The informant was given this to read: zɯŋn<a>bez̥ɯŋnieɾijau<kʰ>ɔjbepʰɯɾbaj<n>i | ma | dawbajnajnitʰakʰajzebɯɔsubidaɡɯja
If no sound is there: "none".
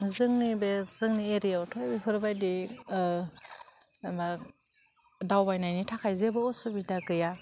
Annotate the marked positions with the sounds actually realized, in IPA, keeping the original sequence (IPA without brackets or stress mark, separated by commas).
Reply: i, tʰ, d